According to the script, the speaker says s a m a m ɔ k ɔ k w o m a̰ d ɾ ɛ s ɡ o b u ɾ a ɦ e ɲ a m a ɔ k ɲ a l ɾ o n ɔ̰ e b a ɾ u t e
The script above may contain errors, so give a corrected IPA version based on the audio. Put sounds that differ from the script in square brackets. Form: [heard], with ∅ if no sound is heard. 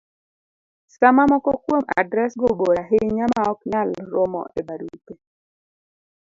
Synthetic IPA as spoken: s a m a m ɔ k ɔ k w o m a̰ d ɾ ɛ s ɡ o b [o] ɾ a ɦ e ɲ a m a ɔ k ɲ a l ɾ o [m] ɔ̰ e b a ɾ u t e